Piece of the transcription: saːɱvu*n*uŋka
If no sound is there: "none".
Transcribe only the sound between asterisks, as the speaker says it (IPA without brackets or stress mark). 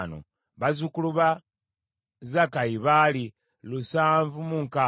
m